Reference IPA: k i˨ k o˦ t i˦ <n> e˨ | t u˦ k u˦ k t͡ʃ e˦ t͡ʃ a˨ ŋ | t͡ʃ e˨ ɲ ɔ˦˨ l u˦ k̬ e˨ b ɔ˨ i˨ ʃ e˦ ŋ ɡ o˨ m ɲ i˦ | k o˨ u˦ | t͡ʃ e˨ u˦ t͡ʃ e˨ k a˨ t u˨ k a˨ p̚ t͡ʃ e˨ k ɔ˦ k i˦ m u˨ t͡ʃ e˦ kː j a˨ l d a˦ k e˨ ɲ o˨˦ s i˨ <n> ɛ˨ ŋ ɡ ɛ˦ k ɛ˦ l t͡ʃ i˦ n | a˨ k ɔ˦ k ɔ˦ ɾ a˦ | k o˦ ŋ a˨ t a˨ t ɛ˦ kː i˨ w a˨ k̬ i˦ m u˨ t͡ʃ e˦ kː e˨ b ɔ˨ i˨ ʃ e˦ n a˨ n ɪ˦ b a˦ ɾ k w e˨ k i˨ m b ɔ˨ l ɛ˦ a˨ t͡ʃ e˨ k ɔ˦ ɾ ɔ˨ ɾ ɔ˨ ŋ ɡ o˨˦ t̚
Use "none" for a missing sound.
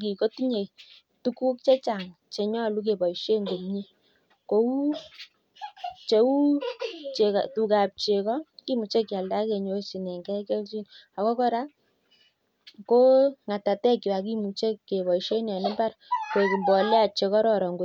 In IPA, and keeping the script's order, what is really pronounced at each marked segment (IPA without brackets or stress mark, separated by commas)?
ɲ, n